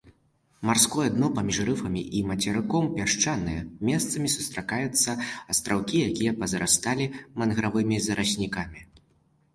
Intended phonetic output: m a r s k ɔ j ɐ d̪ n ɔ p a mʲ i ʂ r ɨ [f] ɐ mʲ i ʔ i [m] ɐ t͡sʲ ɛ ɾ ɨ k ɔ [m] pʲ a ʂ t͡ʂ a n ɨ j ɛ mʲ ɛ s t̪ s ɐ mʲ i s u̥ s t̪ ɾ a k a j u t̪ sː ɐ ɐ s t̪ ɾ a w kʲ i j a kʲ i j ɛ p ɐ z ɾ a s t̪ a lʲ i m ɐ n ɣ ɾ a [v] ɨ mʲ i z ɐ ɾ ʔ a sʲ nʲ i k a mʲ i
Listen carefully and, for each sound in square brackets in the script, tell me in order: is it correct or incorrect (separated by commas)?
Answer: correct, correct, correct, correct